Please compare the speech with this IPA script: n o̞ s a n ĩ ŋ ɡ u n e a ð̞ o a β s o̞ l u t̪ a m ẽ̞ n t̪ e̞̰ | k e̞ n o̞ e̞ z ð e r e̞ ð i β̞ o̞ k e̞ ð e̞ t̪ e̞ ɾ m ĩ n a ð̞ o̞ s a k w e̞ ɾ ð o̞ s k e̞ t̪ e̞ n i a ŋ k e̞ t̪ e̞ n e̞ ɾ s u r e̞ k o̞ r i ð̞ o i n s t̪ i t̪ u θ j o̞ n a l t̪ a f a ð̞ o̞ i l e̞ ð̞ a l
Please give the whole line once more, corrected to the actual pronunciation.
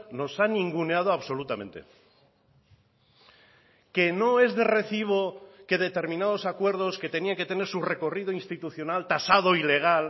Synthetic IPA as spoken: n o̞ s a n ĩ ŋ ɡ u n e a ð̞ o a β s o̞ l u t̪ a m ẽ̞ n t̪ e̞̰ | k e̞ n o̞ e̞ z ð e r e̞ θ i β̞ o̞ k e̞ ð e̞ t̪ e̞ ɾ m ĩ n a ð̞ o̞ s a k w e̞ ɾ ð o̞ s k e̞ t̪ e̞ n i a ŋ k e̞ t̪ e̞ n e̞ ɾ s u r e̞ k o̞ r i ð̞ o i n s t̪ i t̪ u θ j o̞ n a l t̪ a s a ð̞ o̞ i l e̞ ɣ̞ a l